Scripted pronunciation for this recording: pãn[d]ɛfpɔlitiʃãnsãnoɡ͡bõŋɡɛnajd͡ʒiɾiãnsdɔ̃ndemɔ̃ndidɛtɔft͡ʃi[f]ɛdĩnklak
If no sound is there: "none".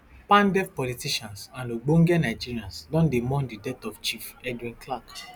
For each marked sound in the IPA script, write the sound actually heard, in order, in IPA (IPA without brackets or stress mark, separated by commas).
d, f